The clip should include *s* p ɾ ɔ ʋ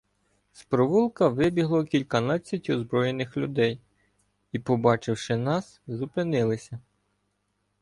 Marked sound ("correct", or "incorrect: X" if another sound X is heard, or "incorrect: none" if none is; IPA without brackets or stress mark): correct